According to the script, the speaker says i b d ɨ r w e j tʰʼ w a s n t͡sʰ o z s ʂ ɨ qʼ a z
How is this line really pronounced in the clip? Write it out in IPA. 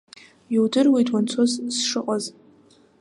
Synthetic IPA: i w d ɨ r w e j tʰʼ w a n t͡sʰ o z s ʂ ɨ qʼ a z